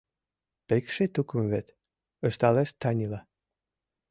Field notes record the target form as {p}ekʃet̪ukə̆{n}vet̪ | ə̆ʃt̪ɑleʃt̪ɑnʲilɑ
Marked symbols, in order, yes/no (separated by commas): yes, no